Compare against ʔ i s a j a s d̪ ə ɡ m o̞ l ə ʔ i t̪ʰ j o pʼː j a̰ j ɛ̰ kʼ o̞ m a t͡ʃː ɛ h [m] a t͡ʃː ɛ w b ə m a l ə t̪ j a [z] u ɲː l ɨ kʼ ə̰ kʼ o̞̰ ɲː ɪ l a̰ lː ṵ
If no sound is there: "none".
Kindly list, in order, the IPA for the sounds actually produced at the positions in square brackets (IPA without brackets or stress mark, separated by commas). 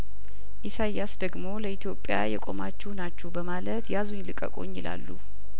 n, z